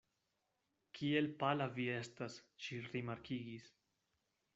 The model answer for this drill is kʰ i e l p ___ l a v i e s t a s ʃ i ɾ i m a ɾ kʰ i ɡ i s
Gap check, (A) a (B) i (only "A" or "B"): A